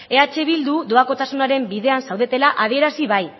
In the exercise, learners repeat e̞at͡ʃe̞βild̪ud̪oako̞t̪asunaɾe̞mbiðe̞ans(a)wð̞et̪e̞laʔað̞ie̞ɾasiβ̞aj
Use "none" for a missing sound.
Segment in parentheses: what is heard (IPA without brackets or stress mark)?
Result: a